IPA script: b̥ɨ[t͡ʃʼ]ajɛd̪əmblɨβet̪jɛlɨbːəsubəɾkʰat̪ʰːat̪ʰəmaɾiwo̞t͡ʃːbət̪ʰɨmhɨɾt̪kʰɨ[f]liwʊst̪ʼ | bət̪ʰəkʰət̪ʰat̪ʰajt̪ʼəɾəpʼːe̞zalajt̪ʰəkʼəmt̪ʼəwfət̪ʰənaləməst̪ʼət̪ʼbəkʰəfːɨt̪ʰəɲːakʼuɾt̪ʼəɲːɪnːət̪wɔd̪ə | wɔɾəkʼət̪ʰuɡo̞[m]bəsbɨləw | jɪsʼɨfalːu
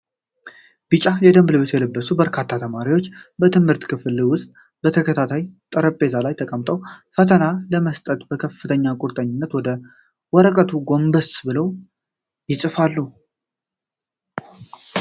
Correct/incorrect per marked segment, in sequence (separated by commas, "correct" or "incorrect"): correct, correct, correct